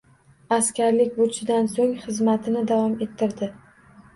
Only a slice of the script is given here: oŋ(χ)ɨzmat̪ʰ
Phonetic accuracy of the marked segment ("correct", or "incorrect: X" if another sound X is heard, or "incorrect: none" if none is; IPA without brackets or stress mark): correct